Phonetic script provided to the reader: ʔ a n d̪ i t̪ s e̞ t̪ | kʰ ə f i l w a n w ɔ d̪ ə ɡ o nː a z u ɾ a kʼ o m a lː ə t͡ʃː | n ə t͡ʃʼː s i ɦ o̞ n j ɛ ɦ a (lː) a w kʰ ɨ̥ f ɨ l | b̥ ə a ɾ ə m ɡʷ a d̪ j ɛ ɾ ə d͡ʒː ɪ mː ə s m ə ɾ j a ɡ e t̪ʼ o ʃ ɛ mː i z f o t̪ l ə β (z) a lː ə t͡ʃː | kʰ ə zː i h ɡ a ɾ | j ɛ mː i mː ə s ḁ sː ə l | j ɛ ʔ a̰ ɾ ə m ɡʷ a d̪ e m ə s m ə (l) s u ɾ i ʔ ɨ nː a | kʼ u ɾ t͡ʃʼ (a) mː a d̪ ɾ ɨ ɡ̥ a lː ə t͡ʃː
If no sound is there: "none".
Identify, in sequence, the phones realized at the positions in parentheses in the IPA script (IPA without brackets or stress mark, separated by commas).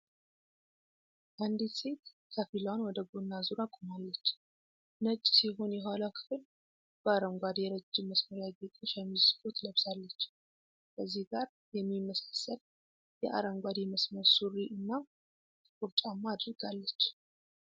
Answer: l, s, ɾ, a